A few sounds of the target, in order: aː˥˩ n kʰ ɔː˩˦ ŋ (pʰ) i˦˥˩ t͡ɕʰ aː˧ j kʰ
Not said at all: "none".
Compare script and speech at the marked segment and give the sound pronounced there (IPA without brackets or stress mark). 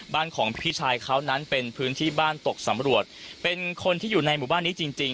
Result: pʰ